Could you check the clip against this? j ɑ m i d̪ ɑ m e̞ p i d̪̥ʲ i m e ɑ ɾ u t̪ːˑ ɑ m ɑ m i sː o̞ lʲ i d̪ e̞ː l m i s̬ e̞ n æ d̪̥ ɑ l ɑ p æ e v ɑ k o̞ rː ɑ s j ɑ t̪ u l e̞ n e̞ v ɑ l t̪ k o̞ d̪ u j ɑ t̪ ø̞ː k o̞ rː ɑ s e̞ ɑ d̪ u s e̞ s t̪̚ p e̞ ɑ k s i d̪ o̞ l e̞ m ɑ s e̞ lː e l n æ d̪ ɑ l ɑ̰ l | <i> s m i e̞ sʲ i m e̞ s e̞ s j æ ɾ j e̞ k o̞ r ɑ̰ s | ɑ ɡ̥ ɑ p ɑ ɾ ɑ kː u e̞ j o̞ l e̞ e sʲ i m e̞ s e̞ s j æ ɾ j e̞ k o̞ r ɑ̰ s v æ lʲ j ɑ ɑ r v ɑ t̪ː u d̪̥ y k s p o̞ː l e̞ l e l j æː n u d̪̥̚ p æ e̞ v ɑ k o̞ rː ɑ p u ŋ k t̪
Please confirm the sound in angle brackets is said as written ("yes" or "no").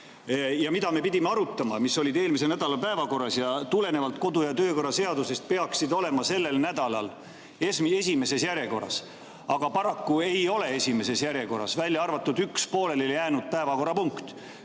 no